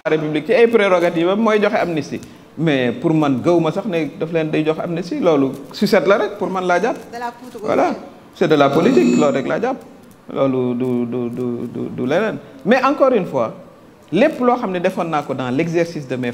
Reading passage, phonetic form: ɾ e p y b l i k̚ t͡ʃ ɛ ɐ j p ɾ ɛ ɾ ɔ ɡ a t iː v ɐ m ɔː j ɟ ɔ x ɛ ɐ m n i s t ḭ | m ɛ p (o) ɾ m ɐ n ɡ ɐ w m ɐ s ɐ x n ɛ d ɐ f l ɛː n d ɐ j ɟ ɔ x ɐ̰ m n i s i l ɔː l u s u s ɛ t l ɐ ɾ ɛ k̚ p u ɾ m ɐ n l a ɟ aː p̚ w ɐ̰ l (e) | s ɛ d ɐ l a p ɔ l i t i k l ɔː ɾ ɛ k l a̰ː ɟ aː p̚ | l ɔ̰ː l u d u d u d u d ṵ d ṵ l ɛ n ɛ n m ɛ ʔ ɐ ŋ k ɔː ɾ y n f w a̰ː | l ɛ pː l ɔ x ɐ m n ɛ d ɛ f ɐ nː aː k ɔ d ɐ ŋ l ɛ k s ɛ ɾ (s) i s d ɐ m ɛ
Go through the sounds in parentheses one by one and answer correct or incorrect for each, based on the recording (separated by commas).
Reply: incorrect, incorrect, correct